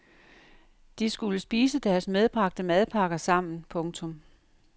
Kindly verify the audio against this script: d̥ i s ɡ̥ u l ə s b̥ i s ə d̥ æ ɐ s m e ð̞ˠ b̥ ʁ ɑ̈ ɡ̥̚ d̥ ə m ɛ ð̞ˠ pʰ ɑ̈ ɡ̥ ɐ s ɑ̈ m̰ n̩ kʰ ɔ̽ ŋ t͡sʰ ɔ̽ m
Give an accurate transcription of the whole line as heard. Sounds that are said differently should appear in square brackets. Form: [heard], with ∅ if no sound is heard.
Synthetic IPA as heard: d̥ i s ɡ̥ u l ə s b̥ [iː] s ə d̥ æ ɐ s m e ð̞ˠ b̥ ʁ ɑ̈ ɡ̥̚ d̥ ə m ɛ ð̞ˠ pʰ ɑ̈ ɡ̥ ɐ s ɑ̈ m̰ n̩ [pʰ] ɔ̽ ŋ t͡sʰ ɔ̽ m

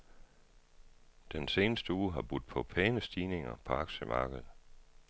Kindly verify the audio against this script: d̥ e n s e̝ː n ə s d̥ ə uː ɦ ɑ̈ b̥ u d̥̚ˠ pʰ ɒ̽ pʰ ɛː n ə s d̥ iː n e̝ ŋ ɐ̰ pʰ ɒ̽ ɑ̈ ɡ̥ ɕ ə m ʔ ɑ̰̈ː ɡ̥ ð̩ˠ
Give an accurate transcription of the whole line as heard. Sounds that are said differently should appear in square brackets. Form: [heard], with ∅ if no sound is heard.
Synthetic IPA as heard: d̥ e n s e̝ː n ə s d̥ ə uː ɦ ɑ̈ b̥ u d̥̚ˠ pʰ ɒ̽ pʰ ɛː n ə s d̥ iː n e̝ ŋ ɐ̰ pʰ ɒ̽ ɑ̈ ɡ̥ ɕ ə m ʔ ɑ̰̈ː ɡ̥ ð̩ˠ

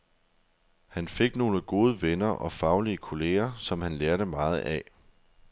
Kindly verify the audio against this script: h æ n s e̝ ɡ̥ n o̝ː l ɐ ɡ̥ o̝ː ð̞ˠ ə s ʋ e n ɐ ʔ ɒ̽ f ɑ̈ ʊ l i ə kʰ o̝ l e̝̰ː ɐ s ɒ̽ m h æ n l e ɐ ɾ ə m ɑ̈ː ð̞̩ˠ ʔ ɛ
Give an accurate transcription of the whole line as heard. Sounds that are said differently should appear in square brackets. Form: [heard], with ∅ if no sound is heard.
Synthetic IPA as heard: h æ n [f] e̝ ɡ̥ n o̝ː l [ə] ɡ̥ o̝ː ð̞ˠ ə [∅] ʋ e n ɐ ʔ ɒ̽ f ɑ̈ ʊ l i ə kʰ o̝ l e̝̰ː ɐ s ɒ̽ m h æ n l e ɐ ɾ ə m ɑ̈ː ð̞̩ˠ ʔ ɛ

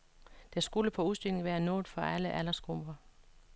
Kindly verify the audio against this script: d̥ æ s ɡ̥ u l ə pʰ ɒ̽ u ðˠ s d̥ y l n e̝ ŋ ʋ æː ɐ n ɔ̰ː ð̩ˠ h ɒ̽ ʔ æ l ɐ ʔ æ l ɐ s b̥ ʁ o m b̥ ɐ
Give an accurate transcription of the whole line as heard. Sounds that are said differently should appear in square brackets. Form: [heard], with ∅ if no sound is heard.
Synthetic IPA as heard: d̥ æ s ɡ̥ u l ə pʰ ɒ̽ u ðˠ s d̥ y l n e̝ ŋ ʋ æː ɐ n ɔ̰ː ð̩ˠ [f] ɒ̽ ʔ æ l [ə] ʔ æ l ɐ s [ɡ̥] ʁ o m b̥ ɐ

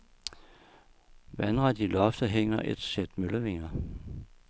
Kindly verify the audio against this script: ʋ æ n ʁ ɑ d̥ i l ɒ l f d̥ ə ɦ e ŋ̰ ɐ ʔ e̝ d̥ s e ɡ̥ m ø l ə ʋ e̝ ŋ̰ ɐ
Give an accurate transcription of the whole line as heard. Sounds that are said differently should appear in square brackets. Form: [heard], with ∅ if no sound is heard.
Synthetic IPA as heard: ʋ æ n ʁ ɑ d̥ i l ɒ [∅] f d̥ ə ɦ e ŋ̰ ɐ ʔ e̝ d̥ s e [d̥] m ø l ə ʋ e̝ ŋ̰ ɐ

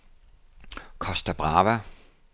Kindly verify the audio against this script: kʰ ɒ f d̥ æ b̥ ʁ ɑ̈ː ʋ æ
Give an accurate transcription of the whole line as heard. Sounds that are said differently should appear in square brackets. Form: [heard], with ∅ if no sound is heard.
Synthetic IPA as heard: kʰ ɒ [s] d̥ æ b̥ ʁ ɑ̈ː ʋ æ

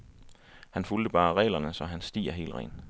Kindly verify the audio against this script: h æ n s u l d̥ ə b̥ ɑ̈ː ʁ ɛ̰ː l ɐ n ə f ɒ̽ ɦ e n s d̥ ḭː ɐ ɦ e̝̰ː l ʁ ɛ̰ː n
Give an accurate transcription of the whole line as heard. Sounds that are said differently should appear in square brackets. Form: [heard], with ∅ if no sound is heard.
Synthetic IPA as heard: h æ n [f] u l d̥ ə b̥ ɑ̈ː ʁ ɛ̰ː l ɐ n ə [s] ɒ̽ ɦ [æ] n s d̥ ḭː ɐ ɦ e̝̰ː l ʁ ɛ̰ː n

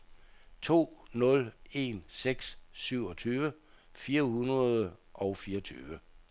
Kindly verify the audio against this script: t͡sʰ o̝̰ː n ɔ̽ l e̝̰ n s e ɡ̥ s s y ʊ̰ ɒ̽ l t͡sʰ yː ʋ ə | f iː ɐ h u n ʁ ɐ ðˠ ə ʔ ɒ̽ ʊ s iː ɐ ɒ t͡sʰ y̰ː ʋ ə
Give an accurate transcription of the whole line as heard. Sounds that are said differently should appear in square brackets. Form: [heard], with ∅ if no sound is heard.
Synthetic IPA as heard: t͡sʰ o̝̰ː n ɔ̽ l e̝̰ n s e ɡ̥ s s y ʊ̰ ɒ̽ [∅] t͡sʰ yː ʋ ə | f iː ɐ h u n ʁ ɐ ðˠ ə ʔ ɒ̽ ʊ [f] iː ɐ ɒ t͡sʰ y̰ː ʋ ə

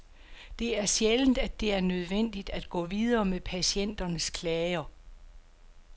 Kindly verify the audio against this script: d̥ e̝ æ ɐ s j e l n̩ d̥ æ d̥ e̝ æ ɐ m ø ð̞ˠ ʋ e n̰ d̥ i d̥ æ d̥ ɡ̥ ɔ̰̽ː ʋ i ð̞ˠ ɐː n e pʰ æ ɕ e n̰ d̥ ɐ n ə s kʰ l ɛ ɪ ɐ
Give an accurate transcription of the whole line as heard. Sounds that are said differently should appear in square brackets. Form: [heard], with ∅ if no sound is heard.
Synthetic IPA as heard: d̥ e̝ æ ɐ s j e l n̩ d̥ æ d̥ e̝ æ ɐ [n] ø ð̞ˠ ʋ e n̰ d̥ i d̥ æ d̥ ɡ̥ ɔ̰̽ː ʋ i ð̞ˠ ɐː [m] e pʰ æ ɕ e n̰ d̥ ɐ n ə s kʰ l ɛ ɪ ɐ

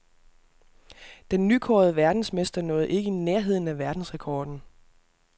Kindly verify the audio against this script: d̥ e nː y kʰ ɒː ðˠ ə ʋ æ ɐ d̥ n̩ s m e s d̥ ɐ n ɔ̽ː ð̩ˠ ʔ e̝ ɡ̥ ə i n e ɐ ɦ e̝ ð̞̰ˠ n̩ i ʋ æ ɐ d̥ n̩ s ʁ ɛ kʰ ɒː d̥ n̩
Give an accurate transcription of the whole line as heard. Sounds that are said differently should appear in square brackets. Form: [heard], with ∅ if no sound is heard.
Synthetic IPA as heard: d̥ e nː y kʰ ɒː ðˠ ə ʋ æ ɐ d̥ n̩ s m e s d̥ ɐ n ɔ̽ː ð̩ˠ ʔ e̝ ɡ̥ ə i n e ɐ ɦ e̝ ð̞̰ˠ n̩ [æ] ʋ æ ɐ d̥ n̩ s ʁ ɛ kʰ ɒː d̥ n̩

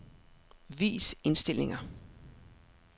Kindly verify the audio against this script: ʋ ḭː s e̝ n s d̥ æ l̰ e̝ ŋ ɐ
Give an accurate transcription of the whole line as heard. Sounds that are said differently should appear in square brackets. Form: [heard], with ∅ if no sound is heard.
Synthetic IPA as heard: ʋ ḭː s e̝ n s d̥ [e] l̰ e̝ ŋ ɐ

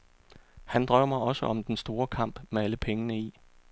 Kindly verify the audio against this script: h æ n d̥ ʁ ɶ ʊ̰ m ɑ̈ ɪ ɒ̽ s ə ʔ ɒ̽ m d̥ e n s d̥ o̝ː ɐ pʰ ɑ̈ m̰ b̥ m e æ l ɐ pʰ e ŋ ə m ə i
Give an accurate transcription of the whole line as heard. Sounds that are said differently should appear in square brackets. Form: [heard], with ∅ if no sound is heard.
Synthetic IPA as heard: h æ n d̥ ʁ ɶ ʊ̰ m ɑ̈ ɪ ɒ̽ s ə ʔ ɒ̽ m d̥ e n s d̥ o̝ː ɐ [kʰ] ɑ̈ m̰ b̥ m e æ l [ə] pʰ e ŋ ə [n] ə i

